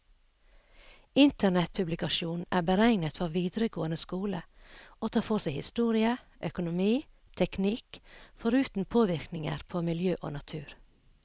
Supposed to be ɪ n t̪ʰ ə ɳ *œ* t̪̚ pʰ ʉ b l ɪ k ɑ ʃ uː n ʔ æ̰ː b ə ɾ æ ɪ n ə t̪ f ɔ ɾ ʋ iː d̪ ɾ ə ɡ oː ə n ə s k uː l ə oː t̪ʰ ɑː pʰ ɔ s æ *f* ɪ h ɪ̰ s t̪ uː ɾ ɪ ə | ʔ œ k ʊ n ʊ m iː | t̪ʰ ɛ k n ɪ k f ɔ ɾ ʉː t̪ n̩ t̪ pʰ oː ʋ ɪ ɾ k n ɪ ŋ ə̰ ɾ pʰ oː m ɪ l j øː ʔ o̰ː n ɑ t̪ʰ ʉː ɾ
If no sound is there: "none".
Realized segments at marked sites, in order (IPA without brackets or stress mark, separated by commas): ɛ, none